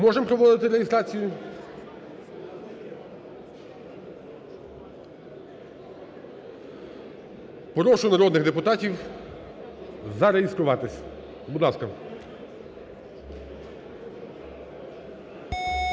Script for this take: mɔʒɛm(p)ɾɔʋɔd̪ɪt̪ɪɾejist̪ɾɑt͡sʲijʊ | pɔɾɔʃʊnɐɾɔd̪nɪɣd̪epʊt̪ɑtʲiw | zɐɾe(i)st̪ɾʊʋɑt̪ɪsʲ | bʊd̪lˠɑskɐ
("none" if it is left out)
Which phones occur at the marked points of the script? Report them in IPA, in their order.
p, i

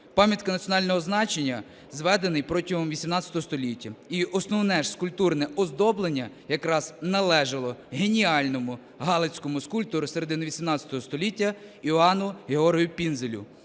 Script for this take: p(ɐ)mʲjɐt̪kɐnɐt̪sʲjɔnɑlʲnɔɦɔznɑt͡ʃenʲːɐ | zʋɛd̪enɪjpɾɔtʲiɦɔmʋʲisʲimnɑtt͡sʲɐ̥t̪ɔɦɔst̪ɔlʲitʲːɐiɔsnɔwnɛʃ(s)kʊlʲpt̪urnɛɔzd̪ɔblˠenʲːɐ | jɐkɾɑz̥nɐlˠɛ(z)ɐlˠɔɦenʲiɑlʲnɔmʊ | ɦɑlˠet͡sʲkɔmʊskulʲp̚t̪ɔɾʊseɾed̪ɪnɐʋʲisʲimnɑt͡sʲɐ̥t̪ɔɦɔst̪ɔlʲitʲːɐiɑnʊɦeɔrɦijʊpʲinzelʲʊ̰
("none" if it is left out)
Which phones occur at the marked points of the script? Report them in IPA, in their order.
ɑ, s, ʒ

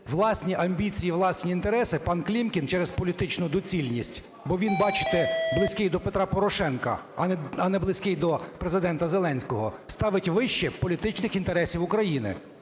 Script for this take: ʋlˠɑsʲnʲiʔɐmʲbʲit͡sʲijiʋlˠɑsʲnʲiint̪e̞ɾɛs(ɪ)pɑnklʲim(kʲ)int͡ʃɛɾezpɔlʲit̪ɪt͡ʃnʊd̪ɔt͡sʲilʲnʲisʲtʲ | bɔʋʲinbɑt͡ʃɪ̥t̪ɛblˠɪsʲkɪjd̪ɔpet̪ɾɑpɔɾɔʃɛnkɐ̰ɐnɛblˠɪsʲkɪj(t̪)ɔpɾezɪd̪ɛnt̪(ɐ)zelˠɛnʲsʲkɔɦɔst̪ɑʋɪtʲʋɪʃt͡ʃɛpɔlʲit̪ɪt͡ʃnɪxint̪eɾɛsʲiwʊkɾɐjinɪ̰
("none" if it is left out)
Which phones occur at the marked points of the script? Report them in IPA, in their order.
ɪ, kʲ, d̪, ɐ

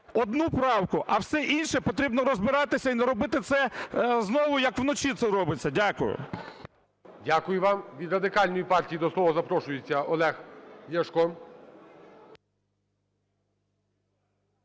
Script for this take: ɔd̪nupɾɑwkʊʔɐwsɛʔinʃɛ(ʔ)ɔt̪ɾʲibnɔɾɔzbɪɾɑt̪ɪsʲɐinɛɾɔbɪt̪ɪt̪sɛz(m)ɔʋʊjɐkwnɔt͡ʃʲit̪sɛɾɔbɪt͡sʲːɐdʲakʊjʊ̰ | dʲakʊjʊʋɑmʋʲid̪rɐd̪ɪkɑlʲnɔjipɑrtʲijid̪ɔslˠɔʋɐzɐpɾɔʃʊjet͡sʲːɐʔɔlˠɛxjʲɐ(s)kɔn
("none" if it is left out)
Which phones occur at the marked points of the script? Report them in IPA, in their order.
p, n, ʃ

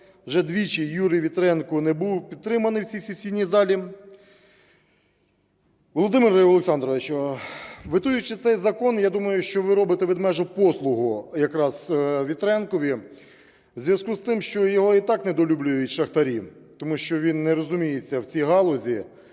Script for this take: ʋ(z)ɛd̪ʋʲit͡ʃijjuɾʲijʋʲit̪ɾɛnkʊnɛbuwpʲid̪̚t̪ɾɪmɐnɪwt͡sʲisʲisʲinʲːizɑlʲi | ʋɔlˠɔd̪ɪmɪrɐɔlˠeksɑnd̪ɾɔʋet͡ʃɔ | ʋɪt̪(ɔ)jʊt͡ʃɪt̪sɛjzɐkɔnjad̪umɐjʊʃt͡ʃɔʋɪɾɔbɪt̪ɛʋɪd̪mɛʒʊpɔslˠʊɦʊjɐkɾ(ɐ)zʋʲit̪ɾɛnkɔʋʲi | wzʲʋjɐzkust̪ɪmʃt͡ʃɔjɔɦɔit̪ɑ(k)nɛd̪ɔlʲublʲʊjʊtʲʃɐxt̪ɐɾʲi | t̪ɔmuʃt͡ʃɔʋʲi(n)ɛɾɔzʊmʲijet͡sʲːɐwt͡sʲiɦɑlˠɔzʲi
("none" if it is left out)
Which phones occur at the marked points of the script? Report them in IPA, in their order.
ʒ, u, ɑ, k, nː

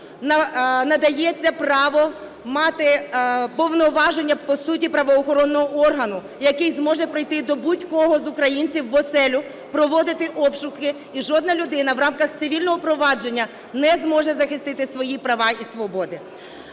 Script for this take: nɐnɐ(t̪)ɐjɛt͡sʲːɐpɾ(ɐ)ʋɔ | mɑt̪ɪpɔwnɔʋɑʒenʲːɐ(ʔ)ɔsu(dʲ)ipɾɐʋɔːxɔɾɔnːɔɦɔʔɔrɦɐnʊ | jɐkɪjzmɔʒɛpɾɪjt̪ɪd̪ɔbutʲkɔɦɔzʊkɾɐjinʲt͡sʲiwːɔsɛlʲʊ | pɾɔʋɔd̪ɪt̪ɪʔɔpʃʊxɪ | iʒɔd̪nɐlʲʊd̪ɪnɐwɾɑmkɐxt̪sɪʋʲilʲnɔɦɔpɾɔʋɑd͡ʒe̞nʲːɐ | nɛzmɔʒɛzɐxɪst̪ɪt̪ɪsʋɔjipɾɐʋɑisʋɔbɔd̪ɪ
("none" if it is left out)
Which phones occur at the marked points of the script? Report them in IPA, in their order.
d̪, ɑ, p, tʲ

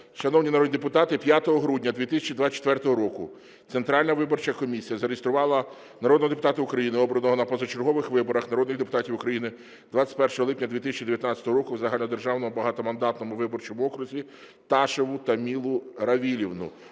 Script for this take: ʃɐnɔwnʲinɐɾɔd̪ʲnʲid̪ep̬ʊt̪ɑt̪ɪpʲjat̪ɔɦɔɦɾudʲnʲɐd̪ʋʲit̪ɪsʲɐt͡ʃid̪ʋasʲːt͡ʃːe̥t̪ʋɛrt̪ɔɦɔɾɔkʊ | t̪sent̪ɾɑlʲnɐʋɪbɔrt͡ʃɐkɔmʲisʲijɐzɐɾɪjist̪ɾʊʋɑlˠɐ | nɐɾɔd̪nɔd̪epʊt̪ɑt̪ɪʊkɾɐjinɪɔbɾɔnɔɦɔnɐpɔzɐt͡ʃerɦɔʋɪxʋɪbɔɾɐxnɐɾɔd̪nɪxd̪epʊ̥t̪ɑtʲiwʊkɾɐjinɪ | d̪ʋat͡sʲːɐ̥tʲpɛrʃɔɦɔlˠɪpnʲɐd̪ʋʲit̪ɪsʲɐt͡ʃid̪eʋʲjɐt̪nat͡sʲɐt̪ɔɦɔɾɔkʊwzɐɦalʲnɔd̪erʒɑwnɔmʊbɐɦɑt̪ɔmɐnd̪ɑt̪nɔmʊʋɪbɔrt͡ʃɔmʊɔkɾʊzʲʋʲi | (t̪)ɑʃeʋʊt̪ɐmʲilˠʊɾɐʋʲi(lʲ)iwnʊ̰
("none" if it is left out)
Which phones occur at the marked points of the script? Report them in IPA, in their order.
t̪, lʲ

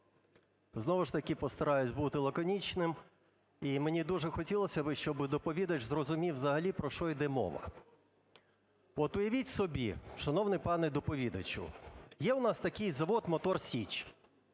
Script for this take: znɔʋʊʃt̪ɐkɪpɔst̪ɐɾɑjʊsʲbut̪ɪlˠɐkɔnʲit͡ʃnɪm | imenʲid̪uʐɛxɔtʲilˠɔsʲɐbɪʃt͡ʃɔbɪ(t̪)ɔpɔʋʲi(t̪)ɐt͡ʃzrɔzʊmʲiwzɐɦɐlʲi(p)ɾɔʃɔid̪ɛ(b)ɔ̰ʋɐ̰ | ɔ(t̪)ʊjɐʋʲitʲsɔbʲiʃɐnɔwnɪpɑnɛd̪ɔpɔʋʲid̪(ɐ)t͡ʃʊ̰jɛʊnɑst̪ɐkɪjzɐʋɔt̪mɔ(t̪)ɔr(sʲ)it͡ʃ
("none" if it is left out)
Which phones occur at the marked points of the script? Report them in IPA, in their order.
d̪, d̪, p, m, t̪, ɐ, t̪, sʲ

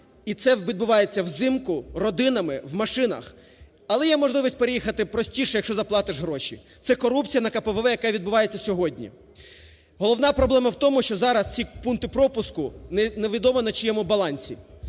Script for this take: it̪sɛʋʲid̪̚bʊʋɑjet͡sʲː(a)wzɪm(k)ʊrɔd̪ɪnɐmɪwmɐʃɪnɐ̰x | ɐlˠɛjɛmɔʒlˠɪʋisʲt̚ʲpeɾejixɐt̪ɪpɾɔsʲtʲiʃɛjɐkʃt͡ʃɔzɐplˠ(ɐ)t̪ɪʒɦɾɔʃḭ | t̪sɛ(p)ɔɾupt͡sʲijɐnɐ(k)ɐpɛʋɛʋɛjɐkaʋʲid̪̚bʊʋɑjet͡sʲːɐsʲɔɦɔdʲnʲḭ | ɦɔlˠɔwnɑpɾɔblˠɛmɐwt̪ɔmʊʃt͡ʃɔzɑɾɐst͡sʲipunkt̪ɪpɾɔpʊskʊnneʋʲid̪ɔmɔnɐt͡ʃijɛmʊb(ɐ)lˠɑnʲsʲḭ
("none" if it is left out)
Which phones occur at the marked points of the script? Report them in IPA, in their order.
ɐ, k, ɑ, k, k, ɐ

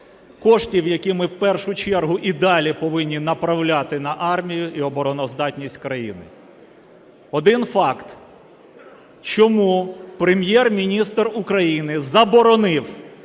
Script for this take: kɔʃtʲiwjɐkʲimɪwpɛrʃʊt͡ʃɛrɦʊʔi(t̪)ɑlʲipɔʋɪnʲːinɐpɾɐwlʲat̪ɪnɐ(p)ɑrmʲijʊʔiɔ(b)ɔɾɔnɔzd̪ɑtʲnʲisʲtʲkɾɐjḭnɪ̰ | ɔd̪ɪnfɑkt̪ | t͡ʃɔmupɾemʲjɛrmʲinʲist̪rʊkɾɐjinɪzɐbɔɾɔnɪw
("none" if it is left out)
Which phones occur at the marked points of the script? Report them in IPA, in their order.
d̪, ʔ, b

